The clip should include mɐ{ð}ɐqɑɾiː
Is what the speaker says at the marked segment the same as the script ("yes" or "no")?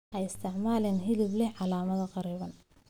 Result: yes